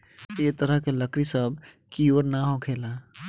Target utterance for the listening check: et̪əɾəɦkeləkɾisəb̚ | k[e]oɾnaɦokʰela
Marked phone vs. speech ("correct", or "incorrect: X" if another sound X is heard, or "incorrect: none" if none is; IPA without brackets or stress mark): incorrect: i